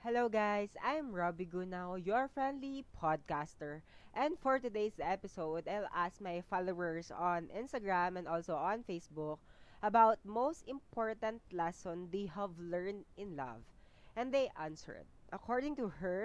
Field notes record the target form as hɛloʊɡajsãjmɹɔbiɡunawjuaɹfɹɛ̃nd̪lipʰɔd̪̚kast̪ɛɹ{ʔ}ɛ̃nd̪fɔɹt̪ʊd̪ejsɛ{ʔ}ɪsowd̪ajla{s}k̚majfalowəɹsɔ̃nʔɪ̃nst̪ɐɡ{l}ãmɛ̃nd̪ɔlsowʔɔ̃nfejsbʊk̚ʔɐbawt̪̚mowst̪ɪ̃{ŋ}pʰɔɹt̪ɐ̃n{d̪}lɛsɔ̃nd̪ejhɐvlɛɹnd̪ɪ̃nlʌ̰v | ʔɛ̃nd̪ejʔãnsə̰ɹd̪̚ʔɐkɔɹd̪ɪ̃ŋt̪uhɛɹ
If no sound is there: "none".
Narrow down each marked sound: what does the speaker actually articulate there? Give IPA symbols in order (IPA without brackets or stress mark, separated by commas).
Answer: ʔ, p, s, ɹ, m, t̪